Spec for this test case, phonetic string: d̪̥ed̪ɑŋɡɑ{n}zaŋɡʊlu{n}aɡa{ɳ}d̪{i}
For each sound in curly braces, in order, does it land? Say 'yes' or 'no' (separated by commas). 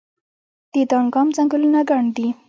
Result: no, yes, yes, yes